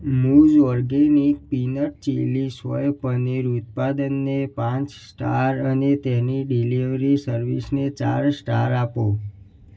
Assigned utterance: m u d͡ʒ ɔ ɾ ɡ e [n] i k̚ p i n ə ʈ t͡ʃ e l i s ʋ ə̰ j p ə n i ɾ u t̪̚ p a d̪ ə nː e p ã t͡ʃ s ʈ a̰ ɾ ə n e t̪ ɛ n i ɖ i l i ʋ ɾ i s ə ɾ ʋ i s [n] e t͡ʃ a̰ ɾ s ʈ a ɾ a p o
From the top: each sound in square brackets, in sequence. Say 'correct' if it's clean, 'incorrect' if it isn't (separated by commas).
correct, correct